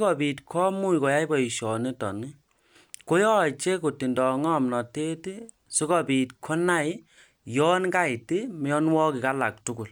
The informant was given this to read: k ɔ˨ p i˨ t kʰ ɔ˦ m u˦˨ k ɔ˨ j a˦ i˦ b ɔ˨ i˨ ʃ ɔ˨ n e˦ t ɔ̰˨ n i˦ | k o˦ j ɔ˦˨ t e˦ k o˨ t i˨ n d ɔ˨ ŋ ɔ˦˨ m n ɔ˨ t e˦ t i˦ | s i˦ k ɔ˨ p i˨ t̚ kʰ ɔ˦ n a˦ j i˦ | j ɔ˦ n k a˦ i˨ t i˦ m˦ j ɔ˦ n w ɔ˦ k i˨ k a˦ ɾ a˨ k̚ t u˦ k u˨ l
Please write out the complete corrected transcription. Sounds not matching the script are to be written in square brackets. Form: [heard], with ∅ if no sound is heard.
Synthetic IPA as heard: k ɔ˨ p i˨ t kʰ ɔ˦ m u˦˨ k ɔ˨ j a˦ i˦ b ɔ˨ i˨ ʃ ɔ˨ n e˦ t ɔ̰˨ n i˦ | k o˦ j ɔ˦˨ [t͡ʃ] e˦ k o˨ t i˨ n d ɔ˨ ŋ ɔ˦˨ m n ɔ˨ t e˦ t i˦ | s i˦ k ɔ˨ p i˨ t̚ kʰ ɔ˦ n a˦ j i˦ | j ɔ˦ n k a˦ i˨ t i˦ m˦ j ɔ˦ n w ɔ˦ k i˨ k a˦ [l] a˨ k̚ t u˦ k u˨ l